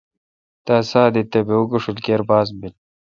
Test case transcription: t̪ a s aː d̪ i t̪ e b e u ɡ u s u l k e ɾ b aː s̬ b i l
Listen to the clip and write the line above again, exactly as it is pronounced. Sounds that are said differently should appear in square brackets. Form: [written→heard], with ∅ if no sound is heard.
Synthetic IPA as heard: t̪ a s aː d̪ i t̪ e b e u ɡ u [s→ʂ] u l k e ɾ b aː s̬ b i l